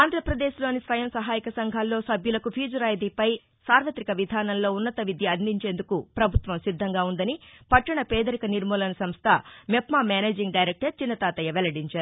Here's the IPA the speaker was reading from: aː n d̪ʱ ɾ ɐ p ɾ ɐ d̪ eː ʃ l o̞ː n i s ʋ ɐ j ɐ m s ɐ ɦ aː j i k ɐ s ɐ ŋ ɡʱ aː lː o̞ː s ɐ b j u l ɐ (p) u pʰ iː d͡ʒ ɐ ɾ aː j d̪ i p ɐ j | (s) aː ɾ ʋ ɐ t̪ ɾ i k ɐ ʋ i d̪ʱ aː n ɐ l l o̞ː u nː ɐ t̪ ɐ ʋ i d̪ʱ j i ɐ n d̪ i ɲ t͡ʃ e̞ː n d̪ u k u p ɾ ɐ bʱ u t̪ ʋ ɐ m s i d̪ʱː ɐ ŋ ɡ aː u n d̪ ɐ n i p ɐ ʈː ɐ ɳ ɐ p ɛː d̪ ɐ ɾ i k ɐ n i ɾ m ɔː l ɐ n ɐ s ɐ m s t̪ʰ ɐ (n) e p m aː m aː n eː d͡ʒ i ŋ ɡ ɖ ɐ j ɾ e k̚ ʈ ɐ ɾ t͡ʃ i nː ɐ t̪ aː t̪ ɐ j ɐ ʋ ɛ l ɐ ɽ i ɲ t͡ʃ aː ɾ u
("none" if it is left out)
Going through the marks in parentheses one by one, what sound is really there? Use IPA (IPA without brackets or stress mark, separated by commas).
k, s, m